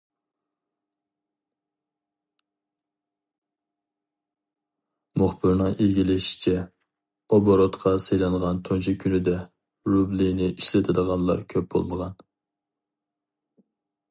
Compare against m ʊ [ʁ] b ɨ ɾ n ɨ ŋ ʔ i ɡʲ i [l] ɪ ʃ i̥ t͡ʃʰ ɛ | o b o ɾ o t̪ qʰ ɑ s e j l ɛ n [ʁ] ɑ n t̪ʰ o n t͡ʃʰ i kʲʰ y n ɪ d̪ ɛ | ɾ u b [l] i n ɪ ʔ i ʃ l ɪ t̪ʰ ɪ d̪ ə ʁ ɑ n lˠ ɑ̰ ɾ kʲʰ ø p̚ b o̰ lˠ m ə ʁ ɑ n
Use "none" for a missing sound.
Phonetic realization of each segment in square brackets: χ, l, ʁ, l

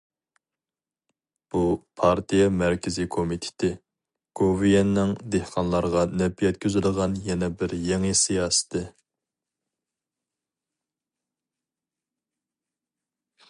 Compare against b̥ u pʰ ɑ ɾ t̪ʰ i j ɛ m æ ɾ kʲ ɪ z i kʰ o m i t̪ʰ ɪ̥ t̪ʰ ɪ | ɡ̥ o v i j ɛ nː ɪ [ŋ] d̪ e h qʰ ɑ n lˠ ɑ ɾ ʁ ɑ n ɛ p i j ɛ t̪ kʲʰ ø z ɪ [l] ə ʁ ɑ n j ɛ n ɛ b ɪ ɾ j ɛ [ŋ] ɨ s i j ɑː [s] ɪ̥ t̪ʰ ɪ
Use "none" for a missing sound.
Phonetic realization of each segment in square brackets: ŋ, l, ŋ, s

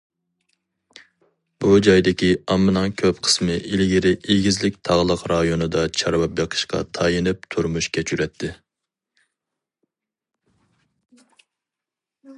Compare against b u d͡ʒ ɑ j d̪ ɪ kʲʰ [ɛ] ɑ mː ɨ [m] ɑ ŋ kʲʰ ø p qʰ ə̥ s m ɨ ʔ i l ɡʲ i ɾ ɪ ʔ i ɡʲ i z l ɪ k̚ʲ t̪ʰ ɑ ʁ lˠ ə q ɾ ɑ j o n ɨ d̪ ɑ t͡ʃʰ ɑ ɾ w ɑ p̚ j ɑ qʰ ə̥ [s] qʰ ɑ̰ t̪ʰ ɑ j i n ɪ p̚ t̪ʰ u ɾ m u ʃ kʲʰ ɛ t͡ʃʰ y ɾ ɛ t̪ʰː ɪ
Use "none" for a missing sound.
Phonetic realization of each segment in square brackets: i, n, ʃ

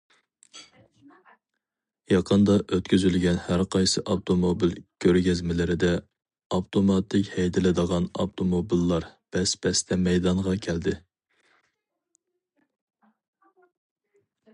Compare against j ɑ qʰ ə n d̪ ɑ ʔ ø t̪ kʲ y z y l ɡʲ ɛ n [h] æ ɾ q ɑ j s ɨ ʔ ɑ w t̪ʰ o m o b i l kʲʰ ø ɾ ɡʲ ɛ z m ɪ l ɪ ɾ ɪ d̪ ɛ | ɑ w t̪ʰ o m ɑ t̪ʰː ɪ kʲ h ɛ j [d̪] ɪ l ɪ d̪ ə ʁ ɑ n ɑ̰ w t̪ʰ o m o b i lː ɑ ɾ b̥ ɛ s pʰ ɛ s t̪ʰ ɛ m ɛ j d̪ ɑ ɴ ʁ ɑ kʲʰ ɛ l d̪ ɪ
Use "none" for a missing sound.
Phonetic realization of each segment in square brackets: h, d̪

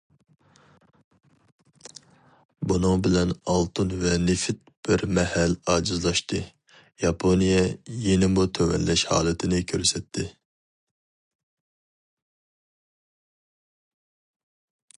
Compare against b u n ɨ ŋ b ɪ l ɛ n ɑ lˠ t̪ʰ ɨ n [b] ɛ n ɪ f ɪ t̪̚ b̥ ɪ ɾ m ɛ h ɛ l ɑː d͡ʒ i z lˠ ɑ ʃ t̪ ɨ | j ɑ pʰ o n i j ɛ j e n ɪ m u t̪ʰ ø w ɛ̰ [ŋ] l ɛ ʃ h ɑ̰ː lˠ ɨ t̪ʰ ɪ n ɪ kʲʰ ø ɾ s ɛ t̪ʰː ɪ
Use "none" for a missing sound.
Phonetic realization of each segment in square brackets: v, n

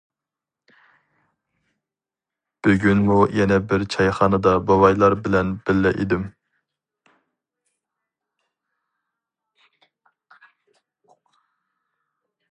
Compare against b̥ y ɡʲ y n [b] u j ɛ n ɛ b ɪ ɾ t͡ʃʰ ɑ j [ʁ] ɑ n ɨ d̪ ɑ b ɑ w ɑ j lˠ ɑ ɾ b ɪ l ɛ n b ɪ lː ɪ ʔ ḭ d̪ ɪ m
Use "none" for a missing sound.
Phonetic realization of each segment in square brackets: m, χ

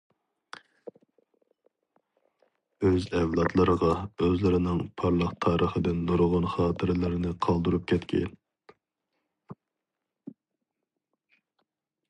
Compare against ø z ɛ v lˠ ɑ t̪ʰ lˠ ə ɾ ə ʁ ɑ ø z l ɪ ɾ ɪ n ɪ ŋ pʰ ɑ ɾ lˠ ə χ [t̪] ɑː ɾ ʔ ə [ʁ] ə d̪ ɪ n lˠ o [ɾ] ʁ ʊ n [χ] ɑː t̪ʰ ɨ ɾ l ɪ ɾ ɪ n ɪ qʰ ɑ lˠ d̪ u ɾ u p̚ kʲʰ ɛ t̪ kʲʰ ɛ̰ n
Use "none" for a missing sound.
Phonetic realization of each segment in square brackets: t̪ʰ, χ, ɾ, χ

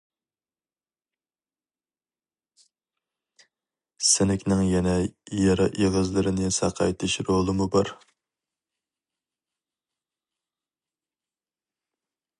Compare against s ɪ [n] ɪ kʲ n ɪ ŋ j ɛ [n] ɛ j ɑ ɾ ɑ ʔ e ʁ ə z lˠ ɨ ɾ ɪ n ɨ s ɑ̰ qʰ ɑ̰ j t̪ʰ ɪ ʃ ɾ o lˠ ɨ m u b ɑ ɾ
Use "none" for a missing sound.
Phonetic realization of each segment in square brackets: n, n

